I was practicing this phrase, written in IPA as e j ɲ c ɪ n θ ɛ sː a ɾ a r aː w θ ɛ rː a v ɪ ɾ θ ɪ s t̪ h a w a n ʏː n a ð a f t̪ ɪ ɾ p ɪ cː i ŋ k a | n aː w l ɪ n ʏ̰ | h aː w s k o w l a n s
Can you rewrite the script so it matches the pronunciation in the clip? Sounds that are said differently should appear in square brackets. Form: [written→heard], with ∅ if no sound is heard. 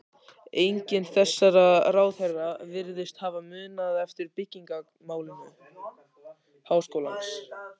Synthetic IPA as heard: e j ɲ c ɪ n θ ɛ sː a ɾ a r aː w θ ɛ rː a v ɪ ɾ [θ→ð] ɪ s t̪ h a [w→v] a [n→m] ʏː n a ð [a→ɛ] f t̪ ɪ ɾ p ɪ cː i ŋ k a | [n→m] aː w l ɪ n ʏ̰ | h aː w s k o w l a n s